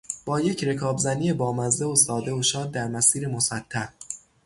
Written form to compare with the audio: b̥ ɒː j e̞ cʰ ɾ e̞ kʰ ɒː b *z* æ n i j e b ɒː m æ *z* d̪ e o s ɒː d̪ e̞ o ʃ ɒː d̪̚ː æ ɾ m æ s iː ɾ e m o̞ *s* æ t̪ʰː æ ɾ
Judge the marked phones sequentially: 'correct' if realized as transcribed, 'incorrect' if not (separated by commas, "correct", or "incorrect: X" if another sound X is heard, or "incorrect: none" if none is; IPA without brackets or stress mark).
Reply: correct, correct, correct